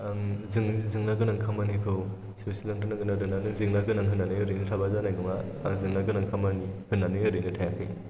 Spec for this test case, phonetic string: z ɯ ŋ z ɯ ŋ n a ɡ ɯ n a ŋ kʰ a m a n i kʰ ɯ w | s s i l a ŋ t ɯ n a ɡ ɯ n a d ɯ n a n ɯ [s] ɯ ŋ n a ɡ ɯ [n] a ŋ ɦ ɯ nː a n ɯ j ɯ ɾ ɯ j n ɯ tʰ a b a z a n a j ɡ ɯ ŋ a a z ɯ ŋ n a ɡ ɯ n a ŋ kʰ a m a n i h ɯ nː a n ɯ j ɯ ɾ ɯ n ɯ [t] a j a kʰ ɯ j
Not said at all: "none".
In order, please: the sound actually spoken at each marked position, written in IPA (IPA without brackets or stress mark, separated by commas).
z, n, tʰ